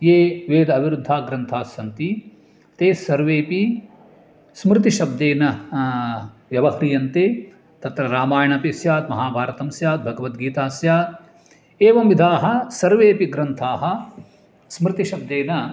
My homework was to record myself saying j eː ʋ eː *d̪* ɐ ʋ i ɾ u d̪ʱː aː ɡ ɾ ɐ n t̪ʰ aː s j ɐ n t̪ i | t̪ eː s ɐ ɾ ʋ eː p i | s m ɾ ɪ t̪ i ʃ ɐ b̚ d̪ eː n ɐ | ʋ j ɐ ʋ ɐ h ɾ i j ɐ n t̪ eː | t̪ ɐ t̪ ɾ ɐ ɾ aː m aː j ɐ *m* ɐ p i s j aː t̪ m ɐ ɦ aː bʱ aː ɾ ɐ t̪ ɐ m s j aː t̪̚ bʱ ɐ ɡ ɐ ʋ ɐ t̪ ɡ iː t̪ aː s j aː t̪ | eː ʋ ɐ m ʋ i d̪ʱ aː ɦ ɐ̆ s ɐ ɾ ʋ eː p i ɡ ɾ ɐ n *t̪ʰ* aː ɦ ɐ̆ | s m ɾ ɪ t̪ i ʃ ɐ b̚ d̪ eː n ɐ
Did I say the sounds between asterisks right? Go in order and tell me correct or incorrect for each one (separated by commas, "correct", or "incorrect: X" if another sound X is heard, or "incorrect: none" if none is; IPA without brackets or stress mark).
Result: correct, incorrect: ɳ, correct